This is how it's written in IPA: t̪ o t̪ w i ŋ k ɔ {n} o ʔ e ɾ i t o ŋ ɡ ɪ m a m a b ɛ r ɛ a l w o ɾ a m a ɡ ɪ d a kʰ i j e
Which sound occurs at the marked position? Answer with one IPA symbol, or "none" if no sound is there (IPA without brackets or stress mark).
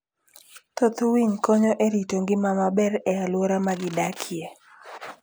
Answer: ɲ